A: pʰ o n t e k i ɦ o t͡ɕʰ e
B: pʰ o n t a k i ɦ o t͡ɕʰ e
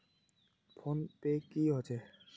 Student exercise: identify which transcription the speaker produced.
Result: A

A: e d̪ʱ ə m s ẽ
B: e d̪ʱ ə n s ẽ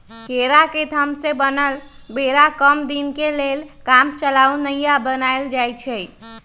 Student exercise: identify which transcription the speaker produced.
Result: A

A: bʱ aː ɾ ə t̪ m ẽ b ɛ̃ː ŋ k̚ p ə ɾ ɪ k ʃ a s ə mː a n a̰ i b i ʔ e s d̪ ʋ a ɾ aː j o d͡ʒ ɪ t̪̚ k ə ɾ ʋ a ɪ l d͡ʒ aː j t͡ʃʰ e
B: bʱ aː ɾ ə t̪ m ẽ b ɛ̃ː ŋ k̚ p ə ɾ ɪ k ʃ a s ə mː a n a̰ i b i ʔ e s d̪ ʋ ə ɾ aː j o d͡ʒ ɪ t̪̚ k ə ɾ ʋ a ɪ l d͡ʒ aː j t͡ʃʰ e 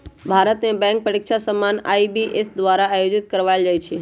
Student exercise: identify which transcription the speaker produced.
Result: A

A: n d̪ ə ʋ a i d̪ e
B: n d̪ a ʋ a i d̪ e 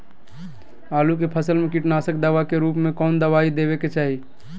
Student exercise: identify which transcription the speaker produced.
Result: A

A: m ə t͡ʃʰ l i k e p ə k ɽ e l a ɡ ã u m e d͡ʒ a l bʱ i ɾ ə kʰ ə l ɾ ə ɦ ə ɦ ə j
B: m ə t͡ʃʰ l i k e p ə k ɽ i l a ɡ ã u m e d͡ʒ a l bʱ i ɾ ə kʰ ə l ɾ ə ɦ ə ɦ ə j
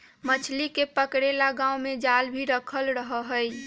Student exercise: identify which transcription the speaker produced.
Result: A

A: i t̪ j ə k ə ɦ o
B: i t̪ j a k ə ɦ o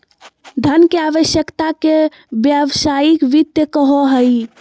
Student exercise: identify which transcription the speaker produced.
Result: A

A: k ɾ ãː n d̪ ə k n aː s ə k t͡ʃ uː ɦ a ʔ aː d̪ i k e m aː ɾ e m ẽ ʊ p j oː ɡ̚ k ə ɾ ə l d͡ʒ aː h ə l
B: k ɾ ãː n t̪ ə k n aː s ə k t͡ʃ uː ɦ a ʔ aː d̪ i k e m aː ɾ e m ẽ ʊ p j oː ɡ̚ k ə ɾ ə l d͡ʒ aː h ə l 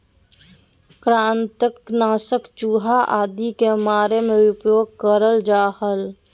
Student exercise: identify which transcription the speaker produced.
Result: B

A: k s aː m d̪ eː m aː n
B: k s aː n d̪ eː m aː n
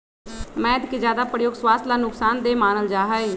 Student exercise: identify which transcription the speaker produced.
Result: B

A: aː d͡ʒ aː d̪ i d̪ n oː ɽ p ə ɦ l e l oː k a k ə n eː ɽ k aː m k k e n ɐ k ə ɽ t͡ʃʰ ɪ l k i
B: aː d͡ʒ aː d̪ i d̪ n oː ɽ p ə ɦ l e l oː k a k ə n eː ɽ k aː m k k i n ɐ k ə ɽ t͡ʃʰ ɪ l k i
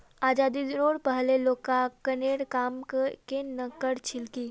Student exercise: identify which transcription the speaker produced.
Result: A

